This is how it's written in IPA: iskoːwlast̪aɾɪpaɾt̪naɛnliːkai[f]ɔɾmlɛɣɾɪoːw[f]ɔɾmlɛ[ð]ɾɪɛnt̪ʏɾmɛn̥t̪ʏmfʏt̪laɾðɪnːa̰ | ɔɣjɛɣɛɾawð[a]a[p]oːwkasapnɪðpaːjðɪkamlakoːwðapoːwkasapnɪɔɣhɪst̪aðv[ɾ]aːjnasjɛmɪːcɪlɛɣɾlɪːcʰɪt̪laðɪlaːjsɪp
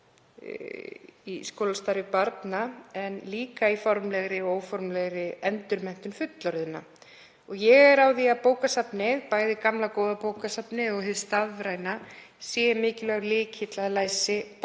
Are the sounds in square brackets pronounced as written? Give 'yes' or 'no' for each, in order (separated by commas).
yes, yes, no, no, yes, yes